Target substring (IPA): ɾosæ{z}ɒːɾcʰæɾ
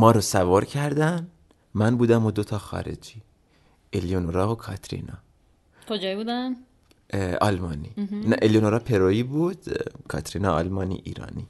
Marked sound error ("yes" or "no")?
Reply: yes